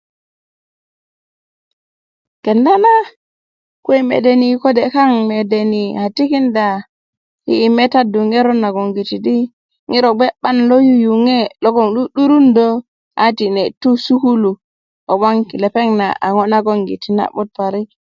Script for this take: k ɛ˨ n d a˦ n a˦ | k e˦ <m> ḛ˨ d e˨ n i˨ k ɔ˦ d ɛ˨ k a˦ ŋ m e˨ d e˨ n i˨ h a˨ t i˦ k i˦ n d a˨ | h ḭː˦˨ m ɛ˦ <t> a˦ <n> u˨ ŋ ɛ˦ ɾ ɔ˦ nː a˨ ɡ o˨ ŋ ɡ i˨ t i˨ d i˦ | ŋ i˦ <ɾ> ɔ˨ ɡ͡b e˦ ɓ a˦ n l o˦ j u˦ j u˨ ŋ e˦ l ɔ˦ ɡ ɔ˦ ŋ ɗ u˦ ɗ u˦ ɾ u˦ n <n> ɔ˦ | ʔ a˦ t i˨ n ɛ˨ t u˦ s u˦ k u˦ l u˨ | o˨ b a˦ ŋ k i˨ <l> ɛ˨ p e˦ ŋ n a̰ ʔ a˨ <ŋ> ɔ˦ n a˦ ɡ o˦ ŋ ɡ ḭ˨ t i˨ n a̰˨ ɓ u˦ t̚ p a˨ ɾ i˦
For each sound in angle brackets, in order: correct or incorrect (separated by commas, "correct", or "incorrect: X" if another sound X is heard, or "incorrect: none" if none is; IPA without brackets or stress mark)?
correct, correct, incorrect: d, correct, incorrect: d, correct, correct